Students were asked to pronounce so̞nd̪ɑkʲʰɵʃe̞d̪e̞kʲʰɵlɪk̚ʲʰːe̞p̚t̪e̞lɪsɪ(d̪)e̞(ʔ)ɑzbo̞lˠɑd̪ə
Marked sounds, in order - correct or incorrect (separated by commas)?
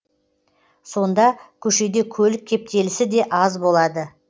correct, correct